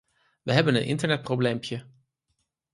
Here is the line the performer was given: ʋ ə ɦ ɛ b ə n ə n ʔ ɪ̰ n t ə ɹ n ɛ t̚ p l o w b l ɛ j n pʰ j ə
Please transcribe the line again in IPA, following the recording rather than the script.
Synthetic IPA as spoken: ʋ ə ɦ ɛ b ə n ə n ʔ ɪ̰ n t ə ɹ n ɛ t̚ p r o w b l e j m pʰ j ə